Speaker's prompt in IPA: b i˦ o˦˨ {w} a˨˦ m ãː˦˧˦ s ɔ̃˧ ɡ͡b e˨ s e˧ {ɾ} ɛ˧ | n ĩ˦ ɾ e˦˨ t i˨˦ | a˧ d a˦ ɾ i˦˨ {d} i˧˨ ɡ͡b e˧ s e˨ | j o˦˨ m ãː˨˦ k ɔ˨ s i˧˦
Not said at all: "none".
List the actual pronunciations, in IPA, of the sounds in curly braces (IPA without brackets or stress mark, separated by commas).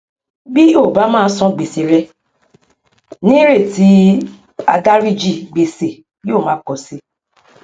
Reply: b, ɾ, d͡ʒ